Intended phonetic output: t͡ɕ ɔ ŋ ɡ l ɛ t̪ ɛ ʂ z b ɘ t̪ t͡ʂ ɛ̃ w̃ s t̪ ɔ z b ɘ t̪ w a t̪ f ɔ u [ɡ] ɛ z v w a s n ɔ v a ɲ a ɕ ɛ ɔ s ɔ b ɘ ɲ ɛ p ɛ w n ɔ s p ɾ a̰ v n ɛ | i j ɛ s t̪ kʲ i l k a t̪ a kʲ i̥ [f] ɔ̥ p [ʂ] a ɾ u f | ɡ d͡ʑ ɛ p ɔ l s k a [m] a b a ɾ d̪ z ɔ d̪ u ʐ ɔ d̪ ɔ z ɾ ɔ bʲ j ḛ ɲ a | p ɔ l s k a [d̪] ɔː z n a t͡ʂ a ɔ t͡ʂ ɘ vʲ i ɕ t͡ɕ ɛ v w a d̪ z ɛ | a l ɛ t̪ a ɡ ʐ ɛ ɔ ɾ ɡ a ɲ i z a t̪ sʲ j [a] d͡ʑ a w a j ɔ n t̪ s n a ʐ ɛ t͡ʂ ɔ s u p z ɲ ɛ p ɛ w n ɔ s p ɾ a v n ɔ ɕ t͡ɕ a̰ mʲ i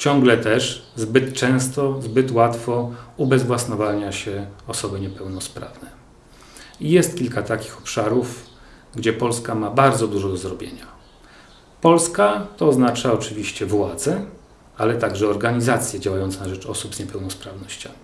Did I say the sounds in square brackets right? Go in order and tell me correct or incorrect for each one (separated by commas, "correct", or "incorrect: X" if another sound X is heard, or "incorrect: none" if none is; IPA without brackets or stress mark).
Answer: incorrect: b, incorrect: x, correct, correct, incorrect: t̪, incorrect: ɛ